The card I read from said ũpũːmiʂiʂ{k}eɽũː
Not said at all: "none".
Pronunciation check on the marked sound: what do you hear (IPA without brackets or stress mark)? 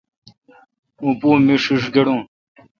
ɡ